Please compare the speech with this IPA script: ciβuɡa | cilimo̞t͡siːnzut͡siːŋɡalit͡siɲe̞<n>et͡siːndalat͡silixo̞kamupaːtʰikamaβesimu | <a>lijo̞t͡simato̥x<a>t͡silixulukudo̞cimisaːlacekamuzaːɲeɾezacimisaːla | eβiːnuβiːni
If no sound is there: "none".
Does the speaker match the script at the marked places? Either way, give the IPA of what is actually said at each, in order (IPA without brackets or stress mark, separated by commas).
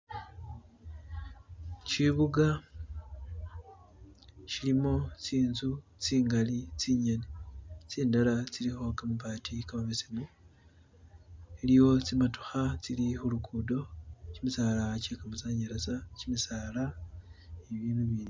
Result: n, e, a